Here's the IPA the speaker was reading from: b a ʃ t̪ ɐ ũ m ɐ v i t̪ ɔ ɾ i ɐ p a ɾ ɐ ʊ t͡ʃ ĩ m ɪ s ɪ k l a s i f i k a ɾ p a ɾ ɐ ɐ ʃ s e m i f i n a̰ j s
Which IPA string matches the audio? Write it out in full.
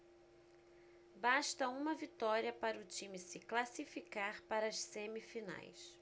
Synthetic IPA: b a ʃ t̪ ɐ ũ m ɐ v i t̪ ɔ ɾ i ɐ p a ɾ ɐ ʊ t͡ʃ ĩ m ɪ s ɪ k l a s i f i k a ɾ p a ɾ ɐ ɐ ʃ s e m i f i n a̰ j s